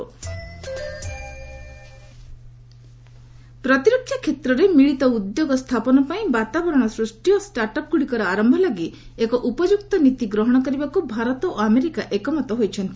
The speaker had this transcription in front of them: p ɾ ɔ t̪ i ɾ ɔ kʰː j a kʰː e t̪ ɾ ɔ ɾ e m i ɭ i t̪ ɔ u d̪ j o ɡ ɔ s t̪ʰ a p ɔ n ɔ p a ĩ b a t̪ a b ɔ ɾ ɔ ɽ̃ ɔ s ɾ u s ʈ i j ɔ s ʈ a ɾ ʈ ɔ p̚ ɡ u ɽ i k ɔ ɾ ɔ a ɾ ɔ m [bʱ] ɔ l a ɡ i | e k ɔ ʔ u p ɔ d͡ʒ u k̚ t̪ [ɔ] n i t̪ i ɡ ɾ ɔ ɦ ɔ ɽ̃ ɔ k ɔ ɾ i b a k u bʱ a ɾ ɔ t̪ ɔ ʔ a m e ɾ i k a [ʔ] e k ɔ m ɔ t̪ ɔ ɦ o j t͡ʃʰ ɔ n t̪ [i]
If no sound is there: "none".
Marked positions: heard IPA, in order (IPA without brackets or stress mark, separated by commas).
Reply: bʱ, ɔ, ʔ, i